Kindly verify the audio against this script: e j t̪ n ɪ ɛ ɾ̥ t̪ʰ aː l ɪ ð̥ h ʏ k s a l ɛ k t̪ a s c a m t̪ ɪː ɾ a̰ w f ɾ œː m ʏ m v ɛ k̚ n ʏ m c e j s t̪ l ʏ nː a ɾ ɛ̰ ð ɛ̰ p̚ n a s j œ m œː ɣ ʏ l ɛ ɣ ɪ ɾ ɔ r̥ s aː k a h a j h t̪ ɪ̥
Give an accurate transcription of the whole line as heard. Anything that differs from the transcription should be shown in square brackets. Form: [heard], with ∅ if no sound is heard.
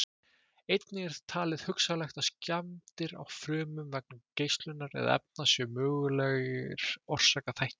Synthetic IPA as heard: e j t̪ n ɪ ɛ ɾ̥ t̪ʰ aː l ɪ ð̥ h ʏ k s a l ɛ [x] t̪ a s c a m t̪ [ɪ] ɾ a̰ w f ɾ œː m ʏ m v ɛ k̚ n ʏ m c e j s t̪ l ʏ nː a ɾ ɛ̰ ð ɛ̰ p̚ n a s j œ m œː ɣ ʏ l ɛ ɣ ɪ ɾ ɔ r̥ s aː k a [θ] a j h t̪ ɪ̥